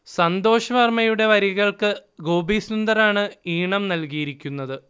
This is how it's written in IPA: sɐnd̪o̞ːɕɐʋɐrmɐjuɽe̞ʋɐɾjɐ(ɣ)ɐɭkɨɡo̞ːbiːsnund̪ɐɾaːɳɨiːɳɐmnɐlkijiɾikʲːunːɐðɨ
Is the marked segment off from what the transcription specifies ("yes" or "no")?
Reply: no